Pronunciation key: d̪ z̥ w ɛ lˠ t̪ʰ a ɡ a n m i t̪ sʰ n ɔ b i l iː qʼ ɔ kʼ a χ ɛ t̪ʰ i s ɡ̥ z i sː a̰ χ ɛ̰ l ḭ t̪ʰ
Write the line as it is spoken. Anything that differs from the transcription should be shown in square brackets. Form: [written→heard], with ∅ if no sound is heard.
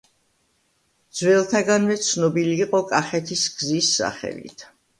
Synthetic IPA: d̪ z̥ w ɛ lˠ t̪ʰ a ɡ a n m [i→ɛ] t̪ sʰ n ɔ b i l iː qʼ ɔ kʼ a χ ɛ t̪ʰ i s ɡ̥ z i sː a̰ χ ɛ̰ l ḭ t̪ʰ